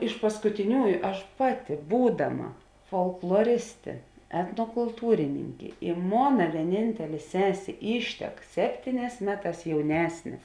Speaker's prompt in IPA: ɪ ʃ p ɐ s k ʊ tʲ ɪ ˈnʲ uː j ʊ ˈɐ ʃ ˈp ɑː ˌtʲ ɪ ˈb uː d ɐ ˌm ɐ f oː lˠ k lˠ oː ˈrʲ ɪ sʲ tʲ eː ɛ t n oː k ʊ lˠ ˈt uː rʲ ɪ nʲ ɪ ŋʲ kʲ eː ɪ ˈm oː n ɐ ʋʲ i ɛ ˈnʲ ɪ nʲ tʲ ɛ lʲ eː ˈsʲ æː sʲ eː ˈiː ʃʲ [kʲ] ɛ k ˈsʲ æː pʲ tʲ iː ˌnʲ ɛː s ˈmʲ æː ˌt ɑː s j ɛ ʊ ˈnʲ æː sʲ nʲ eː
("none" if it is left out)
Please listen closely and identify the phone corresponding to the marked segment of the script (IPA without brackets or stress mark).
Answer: tʲ